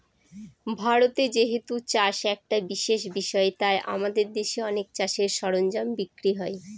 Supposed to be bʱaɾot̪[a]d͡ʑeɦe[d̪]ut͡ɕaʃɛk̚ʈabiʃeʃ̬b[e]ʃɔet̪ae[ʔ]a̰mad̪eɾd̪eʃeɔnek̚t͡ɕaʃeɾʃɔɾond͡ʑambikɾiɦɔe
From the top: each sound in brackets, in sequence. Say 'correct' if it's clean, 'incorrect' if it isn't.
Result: incorrect: e, incorrect: t̪, incorrect: i, correct

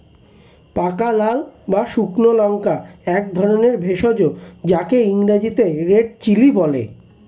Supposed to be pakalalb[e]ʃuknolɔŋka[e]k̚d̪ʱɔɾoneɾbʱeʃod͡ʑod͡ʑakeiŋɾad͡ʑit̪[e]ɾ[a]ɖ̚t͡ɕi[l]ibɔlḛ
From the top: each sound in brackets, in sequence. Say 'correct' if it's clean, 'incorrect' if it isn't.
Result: incorrect: a, incorrect: ɛ, correct, incorrect: e, correct

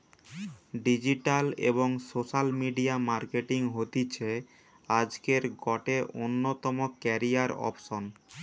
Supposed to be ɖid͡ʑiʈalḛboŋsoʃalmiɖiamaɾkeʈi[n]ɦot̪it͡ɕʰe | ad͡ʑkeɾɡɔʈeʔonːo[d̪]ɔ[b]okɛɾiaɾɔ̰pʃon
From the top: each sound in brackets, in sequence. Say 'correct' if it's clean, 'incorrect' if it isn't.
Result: incorrect: ŋ, incorrect: t̪, incorrect: m

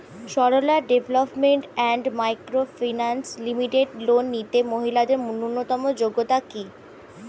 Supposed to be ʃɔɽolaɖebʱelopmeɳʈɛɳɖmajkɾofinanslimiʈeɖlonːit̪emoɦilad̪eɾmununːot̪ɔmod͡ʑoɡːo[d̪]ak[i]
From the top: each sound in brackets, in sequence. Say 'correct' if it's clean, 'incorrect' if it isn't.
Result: incorrect: t̪, correct

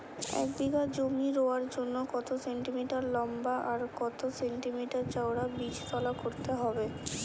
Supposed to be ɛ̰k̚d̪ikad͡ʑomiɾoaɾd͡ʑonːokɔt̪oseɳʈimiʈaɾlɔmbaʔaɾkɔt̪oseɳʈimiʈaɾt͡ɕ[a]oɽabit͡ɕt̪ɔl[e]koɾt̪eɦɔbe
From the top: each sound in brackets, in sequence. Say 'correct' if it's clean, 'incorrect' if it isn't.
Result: correct, incorrect: a

